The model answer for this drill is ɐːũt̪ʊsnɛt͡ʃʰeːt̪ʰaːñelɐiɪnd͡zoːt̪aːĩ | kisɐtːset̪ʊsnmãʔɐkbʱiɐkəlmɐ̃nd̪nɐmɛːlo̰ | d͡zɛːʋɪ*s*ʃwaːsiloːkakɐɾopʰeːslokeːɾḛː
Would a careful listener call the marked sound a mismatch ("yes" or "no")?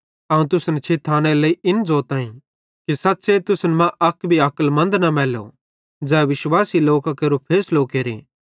yes